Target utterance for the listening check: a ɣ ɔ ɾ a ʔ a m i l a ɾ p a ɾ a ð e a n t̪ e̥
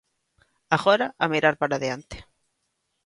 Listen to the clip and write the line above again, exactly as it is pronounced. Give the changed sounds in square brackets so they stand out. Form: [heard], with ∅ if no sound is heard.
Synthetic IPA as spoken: a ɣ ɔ ɾ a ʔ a m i [ɾ] a ɾ p a ɾ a ð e a n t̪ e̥